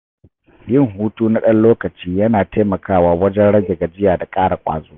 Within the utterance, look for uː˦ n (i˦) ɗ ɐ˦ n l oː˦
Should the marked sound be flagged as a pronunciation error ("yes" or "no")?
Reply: yes